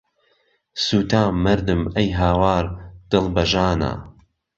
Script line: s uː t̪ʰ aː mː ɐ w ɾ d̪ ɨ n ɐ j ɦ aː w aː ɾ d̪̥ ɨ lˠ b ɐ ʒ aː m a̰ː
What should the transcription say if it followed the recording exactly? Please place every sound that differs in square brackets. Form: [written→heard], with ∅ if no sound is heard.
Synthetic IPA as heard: s uː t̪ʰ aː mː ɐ [w→∅] ɾ d̪ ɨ [n→m] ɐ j ɦ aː w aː ɾ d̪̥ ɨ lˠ b ɐ ʒ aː [m→n] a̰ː